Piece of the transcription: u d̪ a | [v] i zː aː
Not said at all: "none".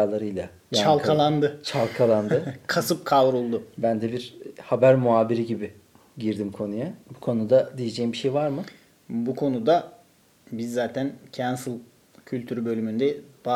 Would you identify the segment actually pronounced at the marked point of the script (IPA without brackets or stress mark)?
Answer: b